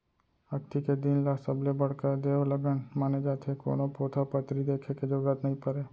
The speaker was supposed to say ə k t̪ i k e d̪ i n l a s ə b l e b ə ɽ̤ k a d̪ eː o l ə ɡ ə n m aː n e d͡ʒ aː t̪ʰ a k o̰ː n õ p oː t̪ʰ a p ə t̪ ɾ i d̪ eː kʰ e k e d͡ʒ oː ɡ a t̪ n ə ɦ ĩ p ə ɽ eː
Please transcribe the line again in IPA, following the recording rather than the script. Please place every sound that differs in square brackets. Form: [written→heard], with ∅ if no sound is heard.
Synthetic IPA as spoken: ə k t̪ i k e d̪ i n l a s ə b l e b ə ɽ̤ k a d̪ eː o l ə ɡ ə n m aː n e d͡ʒ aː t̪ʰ [a→e] k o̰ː n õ p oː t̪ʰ a p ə t̪ ɾ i d̪ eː kʰ e k e d͡ʒ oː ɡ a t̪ n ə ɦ ĩ p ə [ɽ→ɾ] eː

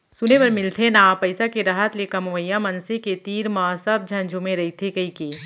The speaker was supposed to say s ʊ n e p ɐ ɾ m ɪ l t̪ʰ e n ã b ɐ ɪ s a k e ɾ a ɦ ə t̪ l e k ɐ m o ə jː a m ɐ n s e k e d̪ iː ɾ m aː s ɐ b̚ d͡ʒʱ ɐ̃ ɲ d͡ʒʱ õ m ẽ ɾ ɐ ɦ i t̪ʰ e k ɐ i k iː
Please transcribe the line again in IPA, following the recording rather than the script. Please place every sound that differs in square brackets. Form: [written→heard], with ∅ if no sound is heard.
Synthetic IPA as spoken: s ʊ n e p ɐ ɾ m ɪ l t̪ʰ e n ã [b→p] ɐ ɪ s a k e ɾ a ɦ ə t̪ l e k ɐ m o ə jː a m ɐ n s e k e [d̪→t̪] iː ɾ m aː s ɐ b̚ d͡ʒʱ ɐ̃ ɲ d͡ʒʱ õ m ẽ ɾ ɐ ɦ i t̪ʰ e k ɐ i k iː

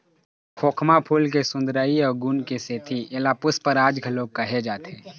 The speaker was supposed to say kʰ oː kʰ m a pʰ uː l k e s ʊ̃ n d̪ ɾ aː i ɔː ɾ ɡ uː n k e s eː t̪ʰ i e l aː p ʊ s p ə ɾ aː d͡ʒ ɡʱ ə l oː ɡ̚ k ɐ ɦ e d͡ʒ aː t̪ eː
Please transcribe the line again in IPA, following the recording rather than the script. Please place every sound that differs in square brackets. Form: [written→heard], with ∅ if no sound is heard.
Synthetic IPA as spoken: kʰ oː kʰ m a pʰ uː l k e s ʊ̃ n d̪ ɾ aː i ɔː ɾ ɡ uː n k e s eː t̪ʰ i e l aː p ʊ s p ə ɾ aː d͡ʒ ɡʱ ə l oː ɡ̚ k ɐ ɦ e d͡ʒ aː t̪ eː

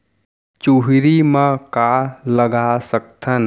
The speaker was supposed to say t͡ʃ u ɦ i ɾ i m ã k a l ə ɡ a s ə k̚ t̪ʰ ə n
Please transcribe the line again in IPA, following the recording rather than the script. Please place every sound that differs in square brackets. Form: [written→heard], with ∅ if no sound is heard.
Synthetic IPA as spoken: t͡ʃ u ɦ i ɾ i m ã k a l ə ɡ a s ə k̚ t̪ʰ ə n

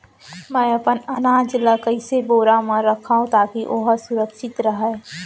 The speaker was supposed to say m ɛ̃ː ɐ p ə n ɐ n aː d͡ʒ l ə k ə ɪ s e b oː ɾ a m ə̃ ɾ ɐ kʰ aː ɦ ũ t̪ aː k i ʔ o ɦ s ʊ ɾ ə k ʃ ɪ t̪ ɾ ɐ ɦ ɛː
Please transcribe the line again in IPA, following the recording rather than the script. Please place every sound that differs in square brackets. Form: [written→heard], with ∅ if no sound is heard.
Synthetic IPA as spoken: m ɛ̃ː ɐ p ə n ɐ n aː d͡ʒ l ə k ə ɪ s e b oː ɾ a m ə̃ ɾ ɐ kʰ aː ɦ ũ t̪ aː k i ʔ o ɦ s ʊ ɾ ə k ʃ ɪ t̪ ɾ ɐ ɦ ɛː

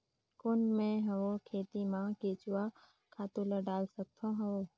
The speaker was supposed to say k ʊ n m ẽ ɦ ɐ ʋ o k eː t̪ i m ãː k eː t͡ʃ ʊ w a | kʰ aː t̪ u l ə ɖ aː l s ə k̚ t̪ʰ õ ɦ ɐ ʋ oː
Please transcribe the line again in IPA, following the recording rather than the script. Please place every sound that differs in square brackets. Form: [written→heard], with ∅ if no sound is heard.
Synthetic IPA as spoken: k ʊ n m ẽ ɦ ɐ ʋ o [k→kʰ] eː t̪ i m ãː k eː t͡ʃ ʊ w a | kʰ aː t̪ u l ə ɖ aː l s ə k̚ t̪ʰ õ ɦ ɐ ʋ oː

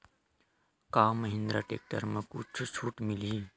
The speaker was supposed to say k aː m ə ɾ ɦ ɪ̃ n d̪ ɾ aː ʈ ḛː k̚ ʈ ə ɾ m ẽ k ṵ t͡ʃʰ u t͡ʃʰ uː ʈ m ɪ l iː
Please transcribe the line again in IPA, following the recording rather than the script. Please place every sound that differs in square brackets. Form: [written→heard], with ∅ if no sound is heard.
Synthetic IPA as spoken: k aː m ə [ɾ→∅] ɦ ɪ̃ n d̪ ɾ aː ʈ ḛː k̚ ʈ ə ɾ m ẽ k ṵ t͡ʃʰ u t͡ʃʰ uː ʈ m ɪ l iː

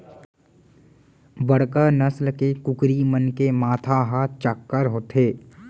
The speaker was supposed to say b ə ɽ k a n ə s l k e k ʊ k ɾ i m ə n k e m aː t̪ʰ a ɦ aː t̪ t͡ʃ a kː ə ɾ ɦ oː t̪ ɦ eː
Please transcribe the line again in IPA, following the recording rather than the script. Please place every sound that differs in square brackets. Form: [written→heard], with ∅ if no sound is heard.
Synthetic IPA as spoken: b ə ɽ k a n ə s l k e k ʊ k ɾ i m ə n k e m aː t̪ʰ a ɦ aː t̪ t͡ʃ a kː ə ɾ ɦ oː t̪ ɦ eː

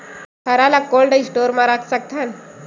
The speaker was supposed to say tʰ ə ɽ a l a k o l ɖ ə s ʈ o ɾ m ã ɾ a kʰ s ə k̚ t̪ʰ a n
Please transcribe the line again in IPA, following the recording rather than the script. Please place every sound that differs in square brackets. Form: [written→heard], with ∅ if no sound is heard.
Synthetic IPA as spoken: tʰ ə [ɽ→ɾ] a l a k o l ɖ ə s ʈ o ɾ m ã ɾ a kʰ s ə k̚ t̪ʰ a n

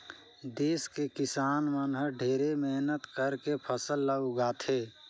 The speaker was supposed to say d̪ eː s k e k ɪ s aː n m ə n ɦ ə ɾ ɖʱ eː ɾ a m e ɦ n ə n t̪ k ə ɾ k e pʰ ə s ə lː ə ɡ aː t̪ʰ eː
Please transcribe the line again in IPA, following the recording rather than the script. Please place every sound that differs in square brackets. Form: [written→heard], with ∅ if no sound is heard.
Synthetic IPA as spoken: d̪ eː s k e k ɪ s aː n m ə n ɦ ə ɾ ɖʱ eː ɾ [a→e] m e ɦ n ə [n→∅] t̪ k ə ɾ k e pʰ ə s ə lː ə ɡ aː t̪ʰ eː

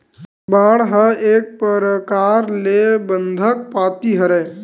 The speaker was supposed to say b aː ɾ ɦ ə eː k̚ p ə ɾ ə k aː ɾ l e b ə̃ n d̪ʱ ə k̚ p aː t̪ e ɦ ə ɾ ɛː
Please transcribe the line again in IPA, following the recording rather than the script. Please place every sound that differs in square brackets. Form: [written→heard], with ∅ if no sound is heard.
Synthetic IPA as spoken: b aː [ɾ→ɽ] ɦ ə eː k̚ p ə ɾ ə k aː ɾ l e b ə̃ n d̪ʱ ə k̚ p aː t̪ [e→i] ɦ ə ɾ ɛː

